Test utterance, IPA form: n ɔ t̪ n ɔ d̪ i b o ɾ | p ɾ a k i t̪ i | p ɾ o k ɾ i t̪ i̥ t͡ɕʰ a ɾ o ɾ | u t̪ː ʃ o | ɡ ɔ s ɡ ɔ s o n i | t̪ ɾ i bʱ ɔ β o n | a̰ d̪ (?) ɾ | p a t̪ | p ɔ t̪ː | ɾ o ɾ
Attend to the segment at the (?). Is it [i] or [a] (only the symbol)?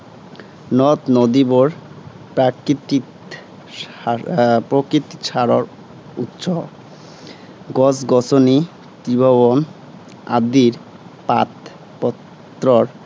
i